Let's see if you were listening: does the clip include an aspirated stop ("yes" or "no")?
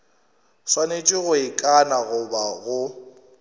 no